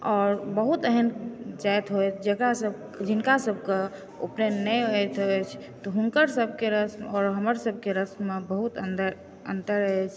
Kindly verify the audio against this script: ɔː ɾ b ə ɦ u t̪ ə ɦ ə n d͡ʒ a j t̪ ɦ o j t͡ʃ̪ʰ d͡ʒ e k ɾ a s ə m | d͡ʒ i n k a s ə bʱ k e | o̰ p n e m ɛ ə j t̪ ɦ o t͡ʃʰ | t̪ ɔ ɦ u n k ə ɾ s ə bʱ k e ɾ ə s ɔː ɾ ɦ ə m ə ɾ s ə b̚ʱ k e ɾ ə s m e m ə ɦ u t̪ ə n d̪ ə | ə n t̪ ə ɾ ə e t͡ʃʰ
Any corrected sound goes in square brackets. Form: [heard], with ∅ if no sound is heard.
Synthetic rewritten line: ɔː ɾ b ə ɦ u t̪ ə ɦ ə n d͡ʒ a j t̪ ɦ o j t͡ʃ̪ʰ d͡ʒ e k ɾ a s ə [b] | d͡ʒ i n k a s ə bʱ k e | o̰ p n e [n] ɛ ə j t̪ ɦ o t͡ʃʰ | t̪ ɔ ɦ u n k ə ɾ s ə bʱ k e ɾ ə s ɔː ɾ ɦ ə m ə ɾ s ə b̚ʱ k e ɾ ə s m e [b] ə ɦ u t̪ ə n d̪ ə | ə n t̪ ə ɾ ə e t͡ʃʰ